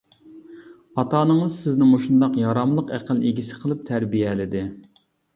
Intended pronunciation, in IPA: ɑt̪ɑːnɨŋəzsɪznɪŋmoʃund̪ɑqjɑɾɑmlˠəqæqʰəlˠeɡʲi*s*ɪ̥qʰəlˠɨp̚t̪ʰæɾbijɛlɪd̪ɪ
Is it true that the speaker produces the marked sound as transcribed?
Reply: yes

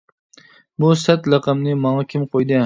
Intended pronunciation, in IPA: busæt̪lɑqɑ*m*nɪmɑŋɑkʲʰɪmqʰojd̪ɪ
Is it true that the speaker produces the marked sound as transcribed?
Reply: yes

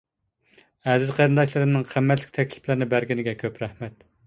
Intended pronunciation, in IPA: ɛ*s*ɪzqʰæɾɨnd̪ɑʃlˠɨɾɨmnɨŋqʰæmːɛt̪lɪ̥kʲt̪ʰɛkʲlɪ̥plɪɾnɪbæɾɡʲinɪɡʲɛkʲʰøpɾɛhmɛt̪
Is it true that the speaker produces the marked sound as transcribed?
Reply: no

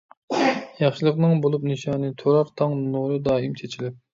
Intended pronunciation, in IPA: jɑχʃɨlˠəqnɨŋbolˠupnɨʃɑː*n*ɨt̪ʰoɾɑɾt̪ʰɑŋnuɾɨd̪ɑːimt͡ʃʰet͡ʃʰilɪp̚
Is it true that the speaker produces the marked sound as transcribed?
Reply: yes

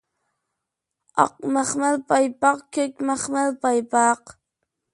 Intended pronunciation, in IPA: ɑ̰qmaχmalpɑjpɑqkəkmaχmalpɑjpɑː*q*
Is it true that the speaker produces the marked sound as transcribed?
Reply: yes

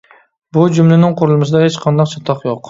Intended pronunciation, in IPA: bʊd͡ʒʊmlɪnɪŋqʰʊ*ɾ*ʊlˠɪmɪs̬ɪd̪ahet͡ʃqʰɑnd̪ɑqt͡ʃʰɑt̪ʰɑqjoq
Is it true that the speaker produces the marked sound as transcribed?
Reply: yes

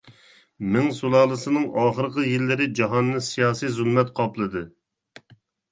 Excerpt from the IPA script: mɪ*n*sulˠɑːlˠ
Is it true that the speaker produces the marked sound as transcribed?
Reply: no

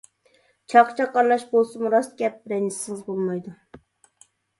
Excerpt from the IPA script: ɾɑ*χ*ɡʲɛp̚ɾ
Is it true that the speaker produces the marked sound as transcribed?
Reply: no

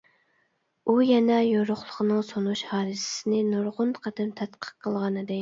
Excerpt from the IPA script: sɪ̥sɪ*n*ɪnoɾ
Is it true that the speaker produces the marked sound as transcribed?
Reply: yes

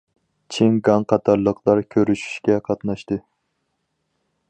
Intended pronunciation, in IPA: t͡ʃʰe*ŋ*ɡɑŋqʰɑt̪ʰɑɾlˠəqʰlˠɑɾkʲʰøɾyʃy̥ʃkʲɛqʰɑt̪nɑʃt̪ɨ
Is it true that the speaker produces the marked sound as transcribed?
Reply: yes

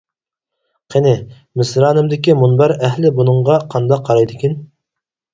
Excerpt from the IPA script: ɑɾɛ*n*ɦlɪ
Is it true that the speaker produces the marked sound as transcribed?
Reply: no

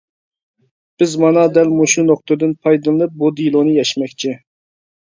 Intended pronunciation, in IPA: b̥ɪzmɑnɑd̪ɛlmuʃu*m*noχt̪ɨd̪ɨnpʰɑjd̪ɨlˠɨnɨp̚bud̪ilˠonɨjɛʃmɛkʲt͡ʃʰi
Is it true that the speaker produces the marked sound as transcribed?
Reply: no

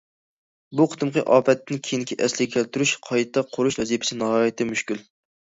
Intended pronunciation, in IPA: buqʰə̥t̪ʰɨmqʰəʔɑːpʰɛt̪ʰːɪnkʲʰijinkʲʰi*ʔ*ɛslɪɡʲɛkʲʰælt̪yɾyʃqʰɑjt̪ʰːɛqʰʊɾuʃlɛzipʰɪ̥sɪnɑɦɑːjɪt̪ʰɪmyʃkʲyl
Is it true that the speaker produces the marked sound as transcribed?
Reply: yes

